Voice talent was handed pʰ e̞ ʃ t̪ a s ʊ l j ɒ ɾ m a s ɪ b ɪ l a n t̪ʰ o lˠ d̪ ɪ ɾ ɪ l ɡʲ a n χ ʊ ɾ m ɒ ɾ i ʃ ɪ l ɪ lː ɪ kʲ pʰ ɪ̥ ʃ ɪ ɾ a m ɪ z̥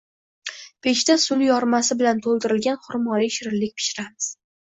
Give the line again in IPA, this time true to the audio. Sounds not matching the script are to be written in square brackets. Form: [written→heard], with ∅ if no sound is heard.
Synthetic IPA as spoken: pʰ e̞ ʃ t̪ a s ʊ l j ɒ ɾ m a s ɪ b ɪ l a n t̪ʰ o lˠ d̪ ɪ ɾ ɪ l ɡʲ a n χ ʊ ɾ m ɒ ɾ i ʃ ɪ [l→ɾ] ɪ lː ɪ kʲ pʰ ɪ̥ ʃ ɪ ɾ a m ɪ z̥